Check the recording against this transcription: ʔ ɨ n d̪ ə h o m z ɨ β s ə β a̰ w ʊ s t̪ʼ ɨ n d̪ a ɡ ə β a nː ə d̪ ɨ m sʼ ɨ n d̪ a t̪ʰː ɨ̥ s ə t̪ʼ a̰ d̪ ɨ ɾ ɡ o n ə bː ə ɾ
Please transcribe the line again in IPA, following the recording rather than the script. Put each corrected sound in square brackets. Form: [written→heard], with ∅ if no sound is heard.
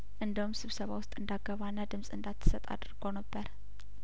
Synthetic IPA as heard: ʔ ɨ n d̪ ə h [o→u] m [z→s] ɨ β s ə β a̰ w ʊ s t̪ʼ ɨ n d̪ a ɡ ə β a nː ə d̪ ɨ m sʼ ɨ n d̪ a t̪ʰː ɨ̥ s ə t̪ʼ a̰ d̪ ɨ ɾ ɡ o n ə bː ə ɾ